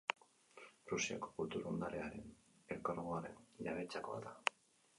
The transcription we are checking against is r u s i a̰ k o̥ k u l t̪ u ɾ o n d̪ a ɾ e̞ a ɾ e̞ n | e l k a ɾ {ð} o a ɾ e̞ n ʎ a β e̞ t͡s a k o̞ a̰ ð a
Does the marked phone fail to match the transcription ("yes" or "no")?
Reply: yes